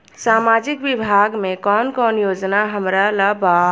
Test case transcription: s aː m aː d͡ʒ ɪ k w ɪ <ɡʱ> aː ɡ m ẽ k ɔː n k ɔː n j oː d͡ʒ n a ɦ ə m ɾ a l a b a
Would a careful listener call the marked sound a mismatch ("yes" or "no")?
yes